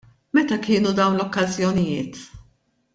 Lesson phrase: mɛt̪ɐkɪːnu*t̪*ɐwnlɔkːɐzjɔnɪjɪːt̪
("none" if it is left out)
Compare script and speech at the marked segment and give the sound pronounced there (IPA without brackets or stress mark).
d̪